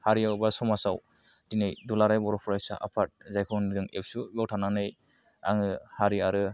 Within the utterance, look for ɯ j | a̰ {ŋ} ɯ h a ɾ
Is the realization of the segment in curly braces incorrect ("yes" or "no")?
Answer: no